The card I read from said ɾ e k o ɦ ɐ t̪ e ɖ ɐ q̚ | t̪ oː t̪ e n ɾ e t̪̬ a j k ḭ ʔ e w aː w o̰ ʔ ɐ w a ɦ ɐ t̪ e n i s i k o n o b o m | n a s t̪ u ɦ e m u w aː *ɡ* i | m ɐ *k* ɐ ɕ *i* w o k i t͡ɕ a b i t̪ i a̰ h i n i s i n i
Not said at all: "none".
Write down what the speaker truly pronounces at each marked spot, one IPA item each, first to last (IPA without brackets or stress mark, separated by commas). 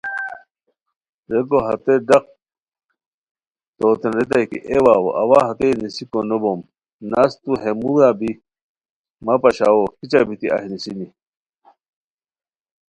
b, p, a